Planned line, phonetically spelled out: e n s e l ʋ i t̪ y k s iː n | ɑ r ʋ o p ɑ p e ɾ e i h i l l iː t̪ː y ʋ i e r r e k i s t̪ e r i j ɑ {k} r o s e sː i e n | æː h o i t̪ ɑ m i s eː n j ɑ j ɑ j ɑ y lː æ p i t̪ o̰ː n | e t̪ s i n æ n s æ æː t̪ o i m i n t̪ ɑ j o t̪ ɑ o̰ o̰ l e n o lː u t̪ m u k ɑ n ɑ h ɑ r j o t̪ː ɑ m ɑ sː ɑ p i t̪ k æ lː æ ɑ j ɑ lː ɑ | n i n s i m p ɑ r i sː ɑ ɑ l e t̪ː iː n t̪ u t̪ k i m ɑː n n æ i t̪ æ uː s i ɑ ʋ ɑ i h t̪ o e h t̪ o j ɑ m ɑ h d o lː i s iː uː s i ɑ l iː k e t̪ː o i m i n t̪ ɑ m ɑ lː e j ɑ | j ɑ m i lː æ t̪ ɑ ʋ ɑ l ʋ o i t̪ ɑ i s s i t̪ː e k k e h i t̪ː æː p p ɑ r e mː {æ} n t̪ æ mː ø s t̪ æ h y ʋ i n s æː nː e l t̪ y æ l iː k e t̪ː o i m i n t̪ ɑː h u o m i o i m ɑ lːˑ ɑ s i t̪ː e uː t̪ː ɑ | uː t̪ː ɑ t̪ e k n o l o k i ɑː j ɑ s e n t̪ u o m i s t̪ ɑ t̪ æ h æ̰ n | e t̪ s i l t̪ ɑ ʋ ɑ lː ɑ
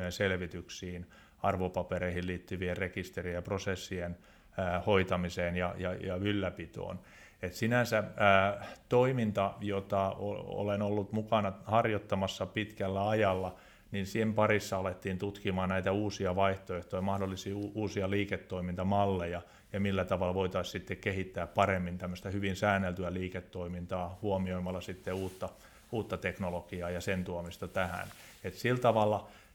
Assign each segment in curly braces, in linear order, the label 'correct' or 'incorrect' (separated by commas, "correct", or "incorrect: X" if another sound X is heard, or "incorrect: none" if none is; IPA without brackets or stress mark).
incorrect: p, incorrect: i